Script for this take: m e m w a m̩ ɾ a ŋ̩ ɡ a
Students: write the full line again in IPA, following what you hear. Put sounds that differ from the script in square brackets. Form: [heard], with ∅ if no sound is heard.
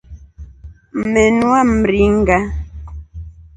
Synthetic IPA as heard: m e [n] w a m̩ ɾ [i] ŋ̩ ɡ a